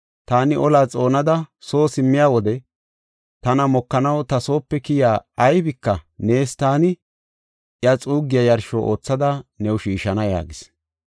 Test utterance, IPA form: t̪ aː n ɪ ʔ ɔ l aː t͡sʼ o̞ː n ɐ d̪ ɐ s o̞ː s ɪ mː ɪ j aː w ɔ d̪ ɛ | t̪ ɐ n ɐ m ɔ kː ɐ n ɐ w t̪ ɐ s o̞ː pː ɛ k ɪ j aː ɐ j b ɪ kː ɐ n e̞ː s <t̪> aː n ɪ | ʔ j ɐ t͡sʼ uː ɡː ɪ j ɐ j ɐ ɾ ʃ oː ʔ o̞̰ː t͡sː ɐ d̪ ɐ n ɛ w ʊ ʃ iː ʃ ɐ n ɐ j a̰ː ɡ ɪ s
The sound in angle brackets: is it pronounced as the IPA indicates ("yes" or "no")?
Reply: yes